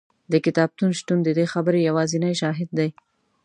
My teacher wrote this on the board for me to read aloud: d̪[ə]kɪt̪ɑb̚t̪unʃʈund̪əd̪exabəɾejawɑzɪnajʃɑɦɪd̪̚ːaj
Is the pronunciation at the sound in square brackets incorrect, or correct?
correct